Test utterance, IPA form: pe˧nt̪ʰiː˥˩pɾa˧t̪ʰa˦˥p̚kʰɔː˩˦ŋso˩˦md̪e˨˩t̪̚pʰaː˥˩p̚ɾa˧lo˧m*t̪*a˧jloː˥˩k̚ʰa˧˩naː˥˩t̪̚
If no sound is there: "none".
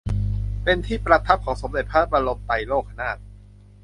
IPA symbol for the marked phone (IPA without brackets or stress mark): t̪